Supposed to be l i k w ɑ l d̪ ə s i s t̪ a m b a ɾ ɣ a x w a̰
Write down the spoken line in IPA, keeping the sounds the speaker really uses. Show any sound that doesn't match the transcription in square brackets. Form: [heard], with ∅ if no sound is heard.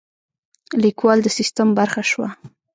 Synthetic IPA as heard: l i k w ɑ l d̪ ə s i s t̪ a m b a ɾ [x] a [ʃ] w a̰